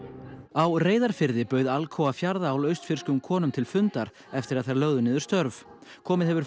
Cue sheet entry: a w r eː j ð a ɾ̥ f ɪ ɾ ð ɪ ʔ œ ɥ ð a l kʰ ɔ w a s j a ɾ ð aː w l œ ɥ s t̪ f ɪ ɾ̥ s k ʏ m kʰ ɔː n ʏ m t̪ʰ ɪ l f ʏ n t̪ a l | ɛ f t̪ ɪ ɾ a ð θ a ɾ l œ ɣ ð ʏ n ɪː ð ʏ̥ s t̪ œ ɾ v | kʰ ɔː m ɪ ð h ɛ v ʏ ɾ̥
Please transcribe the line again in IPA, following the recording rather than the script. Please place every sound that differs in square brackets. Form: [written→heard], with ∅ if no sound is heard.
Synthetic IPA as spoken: a w r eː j ð a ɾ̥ f ɪ ɾ ð ɪ [ʔ→p] œ ɥ ð a l kʰ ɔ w a [s→f] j a ɾ ð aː w l œ ɥ s t̪ f ɪ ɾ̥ s k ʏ m kʰ ɔː n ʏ m t̪ʰ ɪ l f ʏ n t̪ a [l→ɾ] | ɛ f t̪ ɪ ɾ a ð θ a ɾ l œ ɣ ð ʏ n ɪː ð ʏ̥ s t̪ œ ɾ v | kʰ ɔː m ɪ ð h ɛ v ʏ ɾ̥